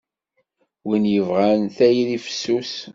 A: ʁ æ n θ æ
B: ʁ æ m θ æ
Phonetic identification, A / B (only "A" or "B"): A